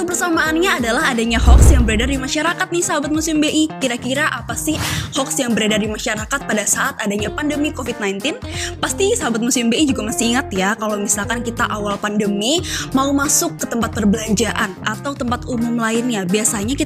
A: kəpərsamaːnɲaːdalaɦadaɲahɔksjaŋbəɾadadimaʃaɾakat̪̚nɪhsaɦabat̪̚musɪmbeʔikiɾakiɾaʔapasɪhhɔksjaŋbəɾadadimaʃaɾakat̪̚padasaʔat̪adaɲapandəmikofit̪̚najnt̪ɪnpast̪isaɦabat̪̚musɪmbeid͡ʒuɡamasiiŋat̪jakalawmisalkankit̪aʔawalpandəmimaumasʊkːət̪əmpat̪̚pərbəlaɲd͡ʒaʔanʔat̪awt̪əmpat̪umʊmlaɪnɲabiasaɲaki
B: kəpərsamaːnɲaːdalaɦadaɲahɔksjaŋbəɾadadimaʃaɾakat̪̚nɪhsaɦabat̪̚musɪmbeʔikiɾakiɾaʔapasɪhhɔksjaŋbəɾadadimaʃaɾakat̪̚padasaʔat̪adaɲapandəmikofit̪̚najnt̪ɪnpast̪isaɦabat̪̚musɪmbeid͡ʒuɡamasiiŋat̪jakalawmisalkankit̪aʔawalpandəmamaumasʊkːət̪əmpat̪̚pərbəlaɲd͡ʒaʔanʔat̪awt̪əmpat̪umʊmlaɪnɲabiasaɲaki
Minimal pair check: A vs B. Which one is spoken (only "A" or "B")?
A